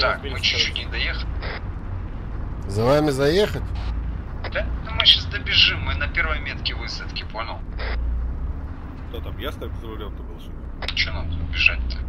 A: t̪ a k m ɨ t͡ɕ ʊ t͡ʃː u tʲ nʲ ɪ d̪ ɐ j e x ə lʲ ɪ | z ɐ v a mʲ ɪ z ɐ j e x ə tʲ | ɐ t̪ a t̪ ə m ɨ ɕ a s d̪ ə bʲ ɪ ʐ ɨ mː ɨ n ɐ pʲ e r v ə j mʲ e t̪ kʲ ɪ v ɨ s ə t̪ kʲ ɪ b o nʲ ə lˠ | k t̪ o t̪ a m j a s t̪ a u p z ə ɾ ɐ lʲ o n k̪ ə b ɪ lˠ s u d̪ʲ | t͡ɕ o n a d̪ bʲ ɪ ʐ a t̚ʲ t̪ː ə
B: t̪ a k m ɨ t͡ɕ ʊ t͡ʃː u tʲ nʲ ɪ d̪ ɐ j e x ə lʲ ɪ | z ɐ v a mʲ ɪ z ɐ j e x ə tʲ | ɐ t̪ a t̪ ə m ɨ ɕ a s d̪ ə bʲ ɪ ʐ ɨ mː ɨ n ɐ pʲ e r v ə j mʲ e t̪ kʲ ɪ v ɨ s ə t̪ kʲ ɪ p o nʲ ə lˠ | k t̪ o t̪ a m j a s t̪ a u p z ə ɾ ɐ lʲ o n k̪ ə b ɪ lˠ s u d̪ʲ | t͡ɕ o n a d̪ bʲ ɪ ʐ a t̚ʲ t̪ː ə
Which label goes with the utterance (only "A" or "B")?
B